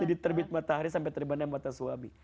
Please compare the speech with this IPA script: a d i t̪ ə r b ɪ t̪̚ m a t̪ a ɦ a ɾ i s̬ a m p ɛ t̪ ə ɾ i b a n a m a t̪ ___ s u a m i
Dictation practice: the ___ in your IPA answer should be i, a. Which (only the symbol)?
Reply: a